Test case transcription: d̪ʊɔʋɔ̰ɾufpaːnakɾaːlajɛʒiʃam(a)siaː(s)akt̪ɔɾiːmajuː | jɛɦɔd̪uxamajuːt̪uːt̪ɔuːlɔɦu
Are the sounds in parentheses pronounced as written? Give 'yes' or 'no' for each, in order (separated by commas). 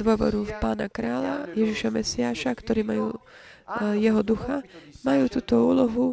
no, no